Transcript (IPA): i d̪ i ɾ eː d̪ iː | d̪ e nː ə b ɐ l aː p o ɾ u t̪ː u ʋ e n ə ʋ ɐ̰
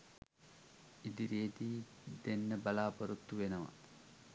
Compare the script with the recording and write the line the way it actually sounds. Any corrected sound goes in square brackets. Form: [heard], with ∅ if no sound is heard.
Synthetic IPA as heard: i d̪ i ɾ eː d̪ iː | d̪ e nː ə b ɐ l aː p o ɾ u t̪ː u ʋ e n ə ʋ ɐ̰